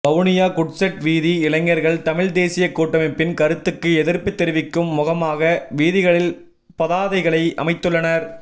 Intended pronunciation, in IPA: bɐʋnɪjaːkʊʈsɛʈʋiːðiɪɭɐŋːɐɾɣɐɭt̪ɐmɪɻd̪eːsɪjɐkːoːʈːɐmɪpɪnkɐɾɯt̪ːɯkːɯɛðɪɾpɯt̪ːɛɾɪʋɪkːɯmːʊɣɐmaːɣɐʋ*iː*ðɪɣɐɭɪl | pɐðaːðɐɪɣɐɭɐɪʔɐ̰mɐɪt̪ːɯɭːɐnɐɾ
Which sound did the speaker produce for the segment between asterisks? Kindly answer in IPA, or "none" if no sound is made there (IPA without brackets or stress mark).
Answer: iː